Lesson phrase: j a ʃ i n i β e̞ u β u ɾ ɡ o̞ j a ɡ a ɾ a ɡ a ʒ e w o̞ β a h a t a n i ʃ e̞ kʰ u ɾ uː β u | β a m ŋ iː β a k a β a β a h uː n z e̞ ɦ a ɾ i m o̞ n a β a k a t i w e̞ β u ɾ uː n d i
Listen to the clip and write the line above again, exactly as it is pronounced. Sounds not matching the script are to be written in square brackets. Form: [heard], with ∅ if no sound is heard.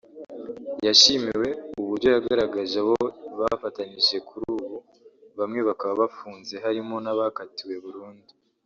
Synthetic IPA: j a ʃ i [m] i [w] e̞ u β u ɾ [ɟ] o̞ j a ɡ a ɾ a ɡ a ʒ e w o̞ β a [f] a t a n i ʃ e̞ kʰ u ɾ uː β u | β a m ŋ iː β a k a β a β a [f] uː n z e̞ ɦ a ɾ i m o̞ n a β a k a t i w e̞ β u ɾ uː n d i